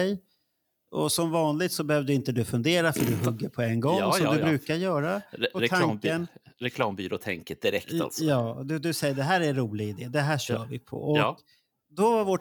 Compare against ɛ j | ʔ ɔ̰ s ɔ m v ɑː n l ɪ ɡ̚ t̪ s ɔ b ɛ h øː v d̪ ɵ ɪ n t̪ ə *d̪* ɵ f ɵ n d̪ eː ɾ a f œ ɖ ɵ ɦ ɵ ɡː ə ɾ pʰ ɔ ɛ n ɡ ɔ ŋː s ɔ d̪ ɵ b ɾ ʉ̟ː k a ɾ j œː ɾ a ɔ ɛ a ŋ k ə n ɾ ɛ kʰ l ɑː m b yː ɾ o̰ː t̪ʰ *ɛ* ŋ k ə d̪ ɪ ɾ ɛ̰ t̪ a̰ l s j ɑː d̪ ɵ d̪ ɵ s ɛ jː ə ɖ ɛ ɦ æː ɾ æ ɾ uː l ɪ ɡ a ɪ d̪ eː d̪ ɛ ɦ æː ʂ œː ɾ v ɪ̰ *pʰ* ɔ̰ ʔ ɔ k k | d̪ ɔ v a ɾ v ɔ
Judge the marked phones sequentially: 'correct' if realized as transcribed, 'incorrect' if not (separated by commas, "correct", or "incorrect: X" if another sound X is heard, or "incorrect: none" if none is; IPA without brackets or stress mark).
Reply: correct, correct, correct